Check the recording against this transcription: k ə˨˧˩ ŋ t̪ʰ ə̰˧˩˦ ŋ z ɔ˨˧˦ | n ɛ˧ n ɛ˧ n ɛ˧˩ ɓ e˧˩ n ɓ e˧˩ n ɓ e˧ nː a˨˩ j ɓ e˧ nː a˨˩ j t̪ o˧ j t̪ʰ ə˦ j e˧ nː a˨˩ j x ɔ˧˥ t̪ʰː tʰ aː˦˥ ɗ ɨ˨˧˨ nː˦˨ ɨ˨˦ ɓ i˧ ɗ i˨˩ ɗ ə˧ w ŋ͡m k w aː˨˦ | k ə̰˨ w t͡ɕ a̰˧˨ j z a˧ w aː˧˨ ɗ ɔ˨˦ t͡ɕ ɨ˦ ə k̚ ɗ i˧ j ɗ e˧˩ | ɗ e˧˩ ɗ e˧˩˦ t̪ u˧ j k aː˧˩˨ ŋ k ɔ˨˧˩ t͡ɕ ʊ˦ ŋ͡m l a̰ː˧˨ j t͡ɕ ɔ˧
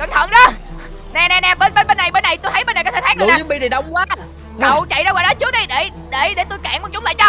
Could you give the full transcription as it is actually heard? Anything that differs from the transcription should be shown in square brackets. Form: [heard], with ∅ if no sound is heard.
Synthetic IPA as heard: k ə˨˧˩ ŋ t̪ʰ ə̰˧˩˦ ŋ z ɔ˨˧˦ | n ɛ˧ n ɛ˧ n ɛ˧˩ ɓ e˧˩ n ɓ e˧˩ n ɓ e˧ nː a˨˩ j ɓ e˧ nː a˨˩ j t̪ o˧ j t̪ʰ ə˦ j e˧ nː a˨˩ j [k] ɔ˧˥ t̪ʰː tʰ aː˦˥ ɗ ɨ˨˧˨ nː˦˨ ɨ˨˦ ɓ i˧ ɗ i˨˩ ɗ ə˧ w ŋ͡m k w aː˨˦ | k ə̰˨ w t͡ɕ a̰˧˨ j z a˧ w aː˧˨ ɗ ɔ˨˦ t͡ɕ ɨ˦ ə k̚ ɗ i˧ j ɗ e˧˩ | ɗ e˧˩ ɗ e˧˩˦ t̪ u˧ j k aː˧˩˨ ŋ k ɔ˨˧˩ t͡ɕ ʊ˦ ŋ͡m l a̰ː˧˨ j t͡ɕ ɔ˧